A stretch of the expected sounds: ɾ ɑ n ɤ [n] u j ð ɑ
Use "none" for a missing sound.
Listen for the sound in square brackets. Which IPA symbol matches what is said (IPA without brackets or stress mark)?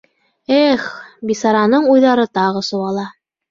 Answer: ɴ